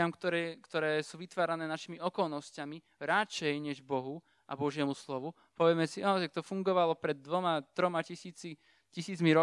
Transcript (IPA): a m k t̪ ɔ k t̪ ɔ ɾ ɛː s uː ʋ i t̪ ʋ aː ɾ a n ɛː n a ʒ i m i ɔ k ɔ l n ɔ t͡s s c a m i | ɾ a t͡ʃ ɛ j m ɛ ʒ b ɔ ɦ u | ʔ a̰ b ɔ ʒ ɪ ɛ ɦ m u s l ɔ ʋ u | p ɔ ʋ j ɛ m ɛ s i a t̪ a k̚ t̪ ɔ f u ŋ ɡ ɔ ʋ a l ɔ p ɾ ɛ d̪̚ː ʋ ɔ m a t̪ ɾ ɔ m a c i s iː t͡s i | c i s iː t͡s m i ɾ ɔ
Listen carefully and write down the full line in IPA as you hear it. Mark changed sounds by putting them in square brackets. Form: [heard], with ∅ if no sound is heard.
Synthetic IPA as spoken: a m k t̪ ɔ k t̪ ɔ ɾ ɛː s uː ʋ i t̪ ʋ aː ɾ a n ɛː n a [ʃ] i m i ɔ k ɔ l n ɔ [∅] s c a m i | ɾ a t͡ʃ ɛ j [ɲ] ɛ ʒ b ɔ ɦ u | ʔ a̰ b ɔ ʒ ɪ ɛ [∅] m u s l ɔ ʋ u | p ɔ ʋ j ɛ m ɛ s i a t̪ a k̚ t̪ ɔ f u ŋ ɡ ɔ ʋ a l ɔ p ɾ ɛ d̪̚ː ʋ ɔ m a t̪ ɾ ɔ m a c i s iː t͡s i | c i s iː t͡s m i ɾ ɔ